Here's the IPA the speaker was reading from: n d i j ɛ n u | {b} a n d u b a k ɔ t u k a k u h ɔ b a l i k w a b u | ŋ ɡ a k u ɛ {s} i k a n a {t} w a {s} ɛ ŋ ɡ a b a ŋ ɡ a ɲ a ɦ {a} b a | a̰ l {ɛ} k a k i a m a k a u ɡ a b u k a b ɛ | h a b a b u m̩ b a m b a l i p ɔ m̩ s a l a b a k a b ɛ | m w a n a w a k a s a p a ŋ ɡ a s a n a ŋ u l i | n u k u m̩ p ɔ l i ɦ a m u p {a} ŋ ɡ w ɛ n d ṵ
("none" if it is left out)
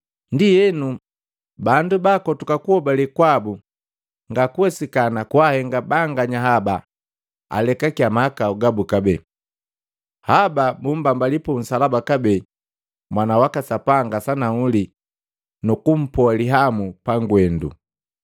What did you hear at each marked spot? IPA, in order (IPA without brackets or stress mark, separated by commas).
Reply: b, s, k, h, a, ɛ, a